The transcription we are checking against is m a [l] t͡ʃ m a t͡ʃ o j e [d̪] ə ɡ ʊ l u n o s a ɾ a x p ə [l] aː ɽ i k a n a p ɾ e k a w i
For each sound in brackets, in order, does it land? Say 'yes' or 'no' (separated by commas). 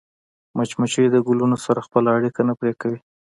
no, yes, yes